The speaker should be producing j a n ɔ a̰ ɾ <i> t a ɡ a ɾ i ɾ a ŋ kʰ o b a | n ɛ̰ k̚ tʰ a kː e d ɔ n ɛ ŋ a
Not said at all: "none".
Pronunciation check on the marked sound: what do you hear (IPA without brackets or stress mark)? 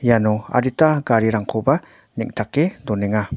i